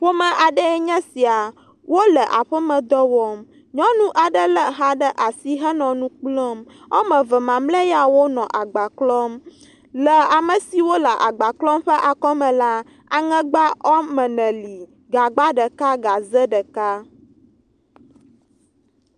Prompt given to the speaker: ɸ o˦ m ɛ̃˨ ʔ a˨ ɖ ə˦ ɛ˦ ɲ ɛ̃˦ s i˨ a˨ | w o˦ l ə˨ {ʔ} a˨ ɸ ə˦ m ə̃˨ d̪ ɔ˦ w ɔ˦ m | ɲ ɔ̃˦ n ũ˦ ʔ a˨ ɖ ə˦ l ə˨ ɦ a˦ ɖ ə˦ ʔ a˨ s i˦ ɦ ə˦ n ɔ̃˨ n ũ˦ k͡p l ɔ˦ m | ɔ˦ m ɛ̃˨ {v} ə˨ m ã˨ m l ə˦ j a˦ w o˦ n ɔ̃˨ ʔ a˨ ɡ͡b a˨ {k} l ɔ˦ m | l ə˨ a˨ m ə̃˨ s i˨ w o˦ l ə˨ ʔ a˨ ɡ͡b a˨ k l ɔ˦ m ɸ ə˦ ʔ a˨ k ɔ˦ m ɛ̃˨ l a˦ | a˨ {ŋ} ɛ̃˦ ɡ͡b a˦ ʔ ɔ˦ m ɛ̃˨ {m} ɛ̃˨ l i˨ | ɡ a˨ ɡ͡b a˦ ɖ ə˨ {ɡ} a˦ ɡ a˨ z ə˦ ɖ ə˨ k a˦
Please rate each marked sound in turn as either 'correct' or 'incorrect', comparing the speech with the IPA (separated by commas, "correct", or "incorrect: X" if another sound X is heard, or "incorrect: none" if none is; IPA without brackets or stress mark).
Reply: correct, correct, correct, correct, incorrect: n, incorrect: k